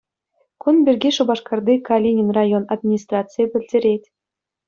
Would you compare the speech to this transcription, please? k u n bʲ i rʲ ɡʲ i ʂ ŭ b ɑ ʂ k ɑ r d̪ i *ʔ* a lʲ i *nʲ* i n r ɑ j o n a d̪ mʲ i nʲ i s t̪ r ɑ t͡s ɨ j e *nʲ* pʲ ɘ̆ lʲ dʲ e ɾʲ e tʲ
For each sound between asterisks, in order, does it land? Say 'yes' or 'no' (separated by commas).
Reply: no, yes, no